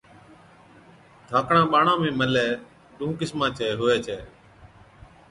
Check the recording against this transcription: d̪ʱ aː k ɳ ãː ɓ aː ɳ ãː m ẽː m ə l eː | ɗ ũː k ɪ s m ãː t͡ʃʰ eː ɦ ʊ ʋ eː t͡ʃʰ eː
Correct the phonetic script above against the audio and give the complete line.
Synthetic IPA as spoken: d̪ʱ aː k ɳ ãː ɓ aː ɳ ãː m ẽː m ə l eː | ɗ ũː k ɪ s m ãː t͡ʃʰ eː ɦ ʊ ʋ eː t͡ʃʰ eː